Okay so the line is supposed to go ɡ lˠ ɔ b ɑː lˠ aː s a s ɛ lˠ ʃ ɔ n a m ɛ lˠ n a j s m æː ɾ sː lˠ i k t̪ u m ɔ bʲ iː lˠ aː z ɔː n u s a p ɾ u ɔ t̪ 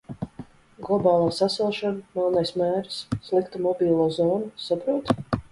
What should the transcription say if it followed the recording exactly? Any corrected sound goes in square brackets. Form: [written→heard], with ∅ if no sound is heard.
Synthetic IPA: ɡ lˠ ɔ b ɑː lˠ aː s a s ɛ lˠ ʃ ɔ n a m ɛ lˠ n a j s m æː ɾ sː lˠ i k t̪ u m ɔ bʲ iː lˠ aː z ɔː n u s a p ɾ u ɔ t̪

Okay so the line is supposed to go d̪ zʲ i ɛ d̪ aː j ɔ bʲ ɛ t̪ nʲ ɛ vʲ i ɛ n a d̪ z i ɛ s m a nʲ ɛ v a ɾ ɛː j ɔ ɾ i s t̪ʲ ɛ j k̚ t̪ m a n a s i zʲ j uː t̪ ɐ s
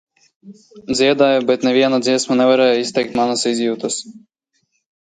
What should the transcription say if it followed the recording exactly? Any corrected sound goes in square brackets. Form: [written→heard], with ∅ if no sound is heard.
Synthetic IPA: d̪ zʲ i ɛ d̪ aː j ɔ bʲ ɛ t̪ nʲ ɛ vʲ i ɛ n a d̪ z i ɛ s m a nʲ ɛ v a ɾ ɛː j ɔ [ɾ→∅] i s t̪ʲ ɛ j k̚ t̪ m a n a s i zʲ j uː t̪ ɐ s

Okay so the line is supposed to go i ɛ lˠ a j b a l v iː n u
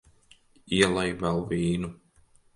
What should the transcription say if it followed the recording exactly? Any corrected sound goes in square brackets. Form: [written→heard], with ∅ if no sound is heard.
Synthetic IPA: i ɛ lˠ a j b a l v iː n u

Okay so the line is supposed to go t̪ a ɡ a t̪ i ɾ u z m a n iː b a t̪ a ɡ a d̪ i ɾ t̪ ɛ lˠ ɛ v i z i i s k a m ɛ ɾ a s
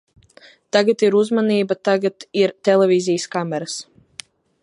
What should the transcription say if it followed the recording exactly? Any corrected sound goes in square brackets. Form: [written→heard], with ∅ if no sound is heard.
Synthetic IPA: t̪ a ɡ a t̪ i ɾ u z m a n iː b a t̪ a ɡ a [d̪→t̪] i ɾ t̪ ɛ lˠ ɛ v i z i [i→j] s k a m ɛ ɾ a s

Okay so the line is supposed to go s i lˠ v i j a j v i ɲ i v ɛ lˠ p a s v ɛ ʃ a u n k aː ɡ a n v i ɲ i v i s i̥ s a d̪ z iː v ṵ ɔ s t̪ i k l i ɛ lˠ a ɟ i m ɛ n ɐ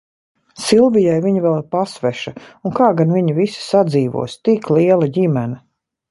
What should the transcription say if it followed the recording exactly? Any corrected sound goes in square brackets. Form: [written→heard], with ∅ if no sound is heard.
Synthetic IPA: s i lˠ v i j a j v i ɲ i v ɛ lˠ p a s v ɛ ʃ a u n k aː ɡ a n v i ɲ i v i s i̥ s a d̪ z iː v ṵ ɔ s t̪ i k l i ɛ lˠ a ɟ i m ɛ n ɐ

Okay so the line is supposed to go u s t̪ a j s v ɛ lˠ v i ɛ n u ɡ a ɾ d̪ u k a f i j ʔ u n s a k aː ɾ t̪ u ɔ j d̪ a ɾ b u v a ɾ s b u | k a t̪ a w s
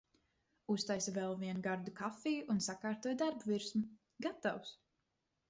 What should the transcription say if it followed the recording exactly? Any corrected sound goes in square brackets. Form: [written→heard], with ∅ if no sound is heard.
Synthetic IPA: u s t̪ a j s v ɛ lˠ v i ɛ n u ɡ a ɾ d̪ u k a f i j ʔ u n s a k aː ɾ t̪ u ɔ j d̪ a ɾ b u v [a→i] ɾ s [b→m] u | [k→ɡ] a t̪ a w s

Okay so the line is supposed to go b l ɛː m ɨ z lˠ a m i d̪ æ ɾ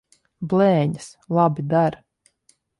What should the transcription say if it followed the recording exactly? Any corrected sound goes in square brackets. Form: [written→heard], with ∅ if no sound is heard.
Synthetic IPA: b l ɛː [m→ɲ] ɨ [z→s] lˠ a [m→b] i d̪ [æ→a] ɾ

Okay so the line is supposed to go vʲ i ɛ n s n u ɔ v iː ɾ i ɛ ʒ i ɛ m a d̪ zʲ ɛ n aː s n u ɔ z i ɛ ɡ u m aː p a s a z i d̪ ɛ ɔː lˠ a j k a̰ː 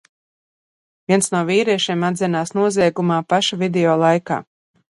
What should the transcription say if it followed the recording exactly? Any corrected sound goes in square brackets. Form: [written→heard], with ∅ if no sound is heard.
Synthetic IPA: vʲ i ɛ n s n u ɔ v iː ɾ i ɛ [ʒ→ʃ] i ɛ m a d̪ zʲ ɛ n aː s n u ɔ z i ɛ ɡ u m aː p a [s→ʃ] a [z→v] i d̪ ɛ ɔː lˠ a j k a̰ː

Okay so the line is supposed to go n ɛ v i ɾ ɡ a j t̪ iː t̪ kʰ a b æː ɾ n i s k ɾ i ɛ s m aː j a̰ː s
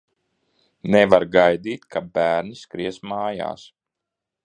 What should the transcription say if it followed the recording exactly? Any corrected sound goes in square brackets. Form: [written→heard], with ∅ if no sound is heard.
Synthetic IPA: n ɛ v [i→a] ɾ ɡ a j [t̪→d̪] iː t̪ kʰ a b æː ɾ n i s k ɾ i ɛ s m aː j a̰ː s

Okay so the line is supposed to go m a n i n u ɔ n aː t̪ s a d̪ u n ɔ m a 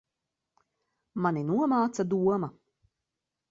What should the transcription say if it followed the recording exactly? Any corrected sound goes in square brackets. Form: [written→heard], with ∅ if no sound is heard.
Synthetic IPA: m a n i n u ɔ [n→m] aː t̪ s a d̪ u [n→∅] ɔ m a

